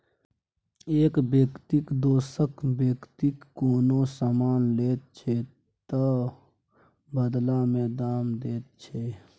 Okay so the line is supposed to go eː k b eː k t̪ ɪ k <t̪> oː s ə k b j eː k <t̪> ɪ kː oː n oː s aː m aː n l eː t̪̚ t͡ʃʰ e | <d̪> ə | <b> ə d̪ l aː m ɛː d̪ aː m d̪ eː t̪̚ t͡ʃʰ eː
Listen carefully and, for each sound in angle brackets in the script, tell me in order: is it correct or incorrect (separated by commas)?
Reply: incorrect, correct, incorrect, correct